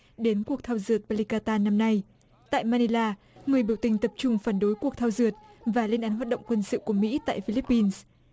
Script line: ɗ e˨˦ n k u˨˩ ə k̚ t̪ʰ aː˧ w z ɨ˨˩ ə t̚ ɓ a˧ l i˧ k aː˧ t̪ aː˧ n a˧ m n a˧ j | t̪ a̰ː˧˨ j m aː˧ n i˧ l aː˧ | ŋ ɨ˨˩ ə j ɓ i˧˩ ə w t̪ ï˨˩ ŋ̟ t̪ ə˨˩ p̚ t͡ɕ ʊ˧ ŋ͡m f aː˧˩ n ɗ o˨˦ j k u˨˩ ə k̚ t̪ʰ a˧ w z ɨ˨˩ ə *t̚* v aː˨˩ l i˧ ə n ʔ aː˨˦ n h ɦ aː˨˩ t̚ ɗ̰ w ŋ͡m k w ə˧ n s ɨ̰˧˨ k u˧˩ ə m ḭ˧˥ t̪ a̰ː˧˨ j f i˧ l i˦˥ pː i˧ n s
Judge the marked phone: correct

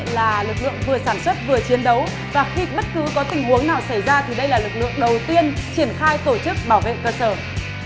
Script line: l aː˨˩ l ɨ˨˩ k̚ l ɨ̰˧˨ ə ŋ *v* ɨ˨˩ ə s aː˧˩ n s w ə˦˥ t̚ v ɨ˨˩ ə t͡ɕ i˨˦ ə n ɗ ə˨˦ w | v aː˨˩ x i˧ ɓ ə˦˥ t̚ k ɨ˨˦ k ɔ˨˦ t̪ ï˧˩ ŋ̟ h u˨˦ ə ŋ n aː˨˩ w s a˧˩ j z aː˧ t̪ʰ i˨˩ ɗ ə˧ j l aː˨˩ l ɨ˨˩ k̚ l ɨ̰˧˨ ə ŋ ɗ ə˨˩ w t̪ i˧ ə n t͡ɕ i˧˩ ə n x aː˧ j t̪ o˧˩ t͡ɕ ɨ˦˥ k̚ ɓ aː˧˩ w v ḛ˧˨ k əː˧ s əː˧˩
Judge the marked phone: correct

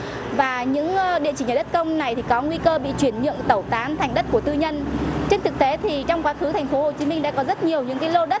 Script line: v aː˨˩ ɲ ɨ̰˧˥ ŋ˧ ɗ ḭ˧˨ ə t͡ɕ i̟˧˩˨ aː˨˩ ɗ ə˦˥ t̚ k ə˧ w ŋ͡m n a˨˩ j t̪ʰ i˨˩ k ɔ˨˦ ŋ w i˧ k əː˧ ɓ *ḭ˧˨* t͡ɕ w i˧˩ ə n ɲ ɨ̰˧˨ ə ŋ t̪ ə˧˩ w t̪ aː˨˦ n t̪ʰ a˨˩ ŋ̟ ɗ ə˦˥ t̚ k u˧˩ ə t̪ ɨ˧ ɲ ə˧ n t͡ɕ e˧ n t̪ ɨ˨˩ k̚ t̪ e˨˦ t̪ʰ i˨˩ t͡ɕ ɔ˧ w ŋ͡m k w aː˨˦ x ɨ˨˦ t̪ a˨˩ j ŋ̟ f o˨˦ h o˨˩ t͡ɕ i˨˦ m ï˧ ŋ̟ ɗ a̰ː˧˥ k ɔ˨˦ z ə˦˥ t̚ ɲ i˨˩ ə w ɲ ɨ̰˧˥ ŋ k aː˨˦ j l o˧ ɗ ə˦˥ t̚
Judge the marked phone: correct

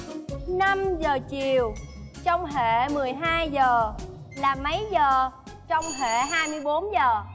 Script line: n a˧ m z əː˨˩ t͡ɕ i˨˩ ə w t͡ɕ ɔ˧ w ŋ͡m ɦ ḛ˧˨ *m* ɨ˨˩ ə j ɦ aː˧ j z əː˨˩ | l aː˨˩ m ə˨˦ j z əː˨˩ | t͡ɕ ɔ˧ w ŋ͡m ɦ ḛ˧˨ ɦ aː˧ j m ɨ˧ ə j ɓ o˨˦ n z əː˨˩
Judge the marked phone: correct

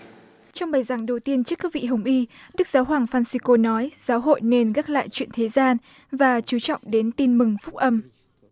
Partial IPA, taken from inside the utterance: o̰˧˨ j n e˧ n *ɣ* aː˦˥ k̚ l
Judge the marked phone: correct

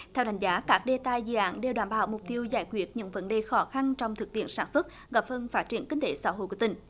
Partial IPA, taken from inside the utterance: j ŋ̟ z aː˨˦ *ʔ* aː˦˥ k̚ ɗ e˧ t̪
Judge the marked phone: incorrect: k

